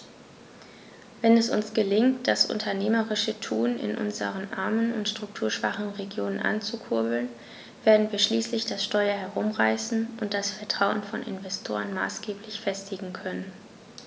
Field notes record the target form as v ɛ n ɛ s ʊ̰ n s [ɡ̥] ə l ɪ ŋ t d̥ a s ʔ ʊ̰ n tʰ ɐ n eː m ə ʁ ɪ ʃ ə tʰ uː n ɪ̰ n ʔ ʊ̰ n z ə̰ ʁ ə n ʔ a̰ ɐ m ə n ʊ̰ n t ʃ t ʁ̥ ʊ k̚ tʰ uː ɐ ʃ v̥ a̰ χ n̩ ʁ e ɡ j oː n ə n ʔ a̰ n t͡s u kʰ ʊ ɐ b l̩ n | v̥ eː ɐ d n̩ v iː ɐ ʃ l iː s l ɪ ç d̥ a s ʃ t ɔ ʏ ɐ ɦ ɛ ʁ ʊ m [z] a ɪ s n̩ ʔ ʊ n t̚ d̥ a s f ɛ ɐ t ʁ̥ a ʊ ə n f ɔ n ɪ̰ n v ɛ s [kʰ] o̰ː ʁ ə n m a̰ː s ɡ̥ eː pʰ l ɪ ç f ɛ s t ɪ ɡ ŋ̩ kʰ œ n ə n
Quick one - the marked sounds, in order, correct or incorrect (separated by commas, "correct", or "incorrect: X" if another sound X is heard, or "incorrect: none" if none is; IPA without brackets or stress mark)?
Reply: correct, incorrect: ʁ, incorrect: tʰ